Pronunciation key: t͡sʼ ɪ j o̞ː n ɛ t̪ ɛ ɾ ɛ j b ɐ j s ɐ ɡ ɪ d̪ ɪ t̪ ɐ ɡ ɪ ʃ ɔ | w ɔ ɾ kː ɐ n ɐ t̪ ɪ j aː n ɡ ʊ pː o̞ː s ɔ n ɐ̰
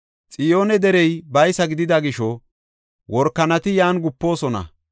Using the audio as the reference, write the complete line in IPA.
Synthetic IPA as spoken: t͡sʼ ɪ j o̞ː n ɛ d̪ ɛ ɾ ɛ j b ɐ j s ɐ ɡ ɪ d̪ ɪ d̪ ɐ ɡ ɪ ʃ ɔ | w ɔ ɾ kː ɐ n ɐ t̪ ɪ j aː n ɡ ʊ pː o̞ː s ɔ n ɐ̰

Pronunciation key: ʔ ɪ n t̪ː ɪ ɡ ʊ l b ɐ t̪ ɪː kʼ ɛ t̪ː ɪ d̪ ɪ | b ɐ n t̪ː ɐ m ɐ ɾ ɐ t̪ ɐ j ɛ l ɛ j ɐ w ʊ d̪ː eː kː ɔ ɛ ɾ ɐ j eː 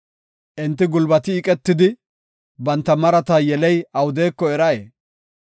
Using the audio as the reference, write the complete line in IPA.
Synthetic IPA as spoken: ʔ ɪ n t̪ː ɪ ɡ ʊ l b ɐ t̪ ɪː kʼ ɛ t̪ː ɪ d̪ ɪ | b ɐ n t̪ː ɐ m ɐ ɾ ɐ t̪ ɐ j ɛ l ɛ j ɐ w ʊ d̪ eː kː ɔ ɛ ɾ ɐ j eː

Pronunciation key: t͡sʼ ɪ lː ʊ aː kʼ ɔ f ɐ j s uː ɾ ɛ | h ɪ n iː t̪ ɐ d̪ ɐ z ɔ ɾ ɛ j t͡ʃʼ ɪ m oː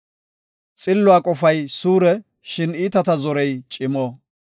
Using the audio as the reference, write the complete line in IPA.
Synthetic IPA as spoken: t͡sʼ ɪ lː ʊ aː kʼ ɔ f ɐ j s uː ɾ ɛ | ʃ ɪ n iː t̪ ɐ t̪ ɐ z ɔ ɾ ɛ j t͡ʃʼ ɪ m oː

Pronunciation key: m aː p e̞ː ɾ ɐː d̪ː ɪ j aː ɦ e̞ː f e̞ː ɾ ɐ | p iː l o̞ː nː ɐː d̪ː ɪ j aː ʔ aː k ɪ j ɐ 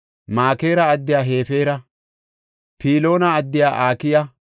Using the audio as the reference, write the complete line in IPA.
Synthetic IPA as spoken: m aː k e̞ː ɾ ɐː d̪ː ɪ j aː ɦ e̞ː f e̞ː ɾ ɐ | p iː l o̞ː n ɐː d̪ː ɪ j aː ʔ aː k ɪ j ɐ

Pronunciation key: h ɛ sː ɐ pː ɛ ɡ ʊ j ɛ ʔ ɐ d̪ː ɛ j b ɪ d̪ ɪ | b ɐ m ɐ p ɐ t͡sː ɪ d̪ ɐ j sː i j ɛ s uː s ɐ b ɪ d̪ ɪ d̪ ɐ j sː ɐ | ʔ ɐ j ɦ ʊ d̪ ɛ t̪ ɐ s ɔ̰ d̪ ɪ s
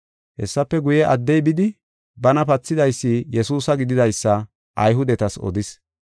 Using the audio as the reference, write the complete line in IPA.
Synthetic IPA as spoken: h ɛ sː ɐ pː ɛ ɡ ʊ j ɛ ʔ ɐ d̪ː ɛ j b ɪ d̪ ɪ | b ɐ n ɐ p ɐ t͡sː ɪ d̪ ɐ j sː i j ɛ s uː s ɐ ɡ ɪ d̪ ɪ d̪ ɐ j sː ɐ | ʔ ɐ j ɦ ʊ d̪ ɛ t̪ ɐ s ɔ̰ d̪ ɪ s

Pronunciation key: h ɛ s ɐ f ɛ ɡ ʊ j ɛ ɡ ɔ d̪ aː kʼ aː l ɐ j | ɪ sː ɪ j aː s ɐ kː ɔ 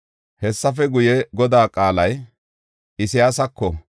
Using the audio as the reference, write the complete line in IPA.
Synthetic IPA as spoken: h ɛ sː ɐ f ɛ ɡ ʊ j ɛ ɡ ɔ d̪ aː kʼ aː l ɐ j | ɪ s ɪ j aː s ɐ kː ɔ

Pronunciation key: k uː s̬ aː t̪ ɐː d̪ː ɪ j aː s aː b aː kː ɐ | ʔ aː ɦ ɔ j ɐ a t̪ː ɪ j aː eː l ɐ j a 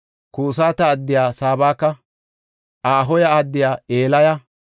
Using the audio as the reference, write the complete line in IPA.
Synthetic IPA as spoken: k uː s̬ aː t̪ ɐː d̪ː ɪ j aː s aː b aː kː ɐ | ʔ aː ɦ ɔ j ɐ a d̪ː ɪ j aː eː l ɐ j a

